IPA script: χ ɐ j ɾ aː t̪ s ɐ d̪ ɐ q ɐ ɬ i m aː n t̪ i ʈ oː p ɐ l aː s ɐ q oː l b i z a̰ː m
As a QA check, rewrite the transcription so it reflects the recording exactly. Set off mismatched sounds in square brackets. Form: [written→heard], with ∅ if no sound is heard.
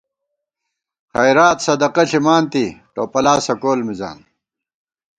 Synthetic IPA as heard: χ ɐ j ɾ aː t̪ s ɐ d̪ ɐ q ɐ ɬ i m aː n t̪ i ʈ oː p ɐ l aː s ɐ [q→k] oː l [b→m] i z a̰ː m